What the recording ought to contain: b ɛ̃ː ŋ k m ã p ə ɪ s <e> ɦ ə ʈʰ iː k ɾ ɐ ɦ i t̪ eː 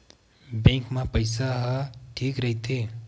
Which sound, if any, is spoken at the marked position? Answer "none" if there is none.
a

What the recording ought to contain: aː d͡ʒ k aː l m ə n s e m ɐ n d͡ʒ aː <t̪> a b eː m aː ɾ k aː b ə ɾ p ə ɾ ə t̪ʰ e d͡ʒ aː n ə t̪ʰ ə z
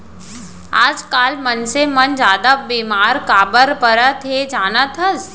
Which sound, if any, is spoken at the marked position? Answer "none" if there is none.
d̪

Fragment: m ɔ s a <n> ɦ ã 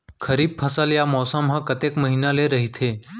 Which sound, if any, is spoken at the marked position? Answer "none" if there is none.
m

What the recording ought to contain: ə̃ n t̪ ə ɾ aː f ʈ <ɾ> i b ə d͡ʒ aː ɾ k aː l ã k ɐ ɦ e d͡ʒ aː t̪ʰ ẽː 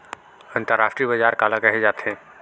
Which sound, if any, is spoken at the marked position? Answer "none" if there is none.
ɾ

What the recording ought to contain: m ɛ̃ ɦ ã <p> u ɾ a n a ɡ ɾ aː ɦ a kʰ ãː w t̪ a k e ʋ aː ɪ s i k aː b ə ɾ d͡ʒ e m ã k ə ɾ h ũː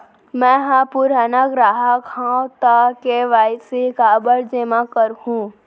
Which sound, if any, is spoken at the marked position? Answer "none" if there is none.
p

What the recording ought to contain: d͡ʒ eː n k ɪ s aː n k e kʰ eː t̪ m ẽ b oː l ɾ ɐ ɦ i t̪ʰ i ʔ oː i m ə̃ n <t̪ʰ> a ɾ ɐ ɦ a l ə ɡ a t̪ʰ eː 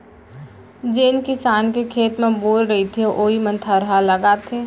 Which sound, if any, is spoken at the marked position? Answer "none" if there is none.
t̪ʰ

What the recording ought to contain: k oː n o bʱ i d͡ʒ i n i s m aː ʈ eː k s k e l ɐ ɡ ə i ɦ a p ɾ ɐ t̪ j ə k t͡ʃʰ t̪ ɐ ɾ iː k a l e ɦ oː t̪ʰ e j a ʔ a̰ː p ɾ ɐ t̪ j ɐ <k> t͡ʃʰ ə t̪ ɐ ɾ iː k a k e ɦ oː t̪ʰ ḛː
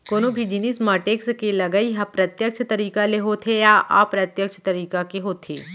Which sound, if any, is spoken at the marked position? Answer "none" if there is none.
k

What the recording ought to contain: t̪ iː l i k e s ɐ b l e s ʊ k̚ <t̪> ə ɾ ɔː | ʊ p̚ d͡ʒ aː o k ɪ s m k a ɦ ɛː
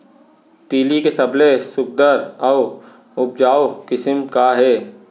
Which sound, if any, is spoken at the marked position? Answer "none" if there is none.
d̪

